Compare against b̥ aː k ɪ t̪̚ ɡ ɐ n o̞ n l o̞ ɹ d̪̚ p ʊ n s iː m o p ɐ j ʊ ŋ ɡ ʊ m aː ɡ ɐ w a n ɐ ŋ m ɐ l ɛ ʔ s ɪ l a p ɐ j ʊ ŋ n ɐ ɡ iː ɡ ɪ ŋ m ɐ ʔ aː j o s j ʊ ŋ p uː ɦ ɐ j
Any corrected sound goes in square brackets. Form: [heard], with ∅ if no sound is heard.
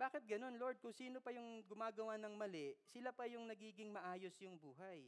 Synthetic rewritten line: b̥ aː k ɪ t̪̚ ɡ ɐ n o̞ n l o̞ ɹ d̪̚ [k] ʊ [ŋ] s iː [n] o p ɐ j ʊ ŋ ɡ ʊ m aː ɡ ɐ w a n ɐ ŋ m ɐ l ɛ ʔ s ɪ l a p ɐ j ʊ ŋ n ɐ ɡ iː ɡ ɪ ŋ m ɐ ʔ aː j o s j ʊ ŋ [b] uː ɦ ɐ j